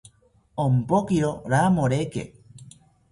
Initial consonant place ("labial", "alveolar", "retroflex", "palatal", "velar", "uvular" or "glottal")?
labial